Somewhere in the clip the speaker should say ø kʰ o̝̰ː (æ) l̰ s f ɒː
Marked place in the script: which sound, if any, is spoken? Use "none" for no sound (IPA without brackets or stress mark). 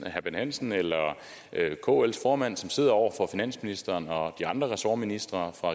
e